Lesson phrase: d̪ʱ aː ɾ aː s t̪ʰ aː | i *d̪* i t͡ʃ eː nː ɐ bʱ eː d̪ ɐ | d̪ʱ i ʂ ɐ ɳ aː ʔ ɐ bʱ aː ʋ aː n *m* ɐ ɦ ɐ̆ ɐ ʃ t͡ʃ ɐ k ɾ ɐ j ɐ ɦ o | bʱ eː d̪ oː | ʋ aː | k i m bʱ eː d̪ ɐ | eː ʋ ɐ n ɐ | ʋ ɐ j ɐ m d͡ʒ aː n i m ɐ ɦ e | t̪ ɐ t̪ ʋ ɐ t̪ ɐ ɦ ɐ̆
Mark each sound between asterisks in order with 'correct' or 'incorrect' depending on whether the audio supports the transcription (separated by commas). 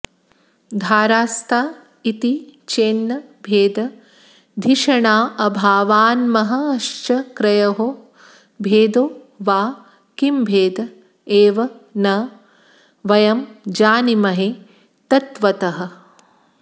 incorrect, correct